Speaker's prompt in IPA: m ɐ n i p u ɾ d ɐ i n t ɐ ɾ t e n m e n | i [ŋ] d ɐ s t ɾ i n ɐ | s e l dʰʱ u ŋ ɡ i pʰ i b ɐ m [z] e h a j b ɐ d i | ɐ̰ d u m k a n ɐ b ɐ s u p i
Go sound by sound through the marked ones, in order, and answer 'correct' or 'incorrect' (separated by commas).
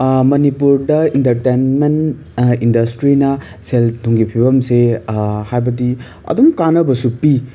incorrect, incorrect